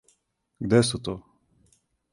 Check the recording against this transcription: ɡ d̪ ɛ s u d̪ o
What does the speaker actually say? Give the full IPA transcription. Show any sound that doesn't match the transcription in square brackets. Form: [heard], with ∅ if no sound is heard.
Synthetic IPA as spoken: ɡ d̪ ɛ s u [t̪] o